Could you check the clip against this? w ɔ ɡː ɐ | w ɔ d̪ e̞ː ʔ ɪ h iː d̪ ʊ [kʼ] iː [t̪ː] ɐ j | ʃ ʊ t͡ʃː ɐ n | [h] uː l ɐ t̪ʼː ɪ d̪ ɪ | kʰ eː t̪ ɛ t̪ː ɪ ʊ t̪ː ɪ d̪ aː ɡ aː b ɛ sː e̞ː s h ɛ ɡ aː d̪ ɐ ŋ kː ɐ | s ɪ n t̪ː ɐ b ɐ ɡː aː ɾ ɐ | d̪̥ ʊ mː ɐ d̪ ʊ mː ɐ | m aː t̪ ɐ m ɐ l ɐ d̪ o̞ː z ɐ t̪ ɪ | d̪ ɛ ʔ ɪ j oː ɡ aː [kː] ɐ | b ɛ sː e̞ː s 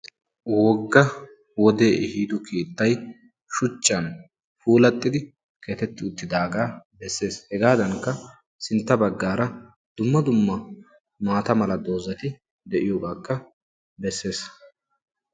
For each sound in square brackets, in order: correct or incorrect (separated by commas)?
incorrect, correct, incorrect, correct